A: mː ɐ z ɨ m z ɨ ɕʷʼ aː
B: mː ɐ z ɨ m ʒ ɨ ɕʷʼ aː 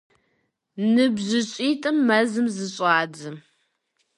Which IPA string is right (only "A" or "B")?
A